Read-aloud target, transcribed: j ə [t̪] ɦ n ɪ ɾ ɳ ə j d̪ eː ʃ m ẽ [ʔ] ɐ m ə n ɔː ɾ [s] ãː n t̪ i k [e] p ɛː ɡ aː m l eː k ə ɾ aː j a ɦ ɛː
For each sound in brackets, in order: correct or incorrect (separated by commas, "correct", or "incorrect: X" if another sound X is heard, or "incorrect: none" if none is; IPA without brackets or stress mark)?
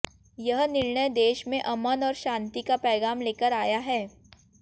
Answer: incorrect: none, correct, incorrect: ʃ, incorrect: a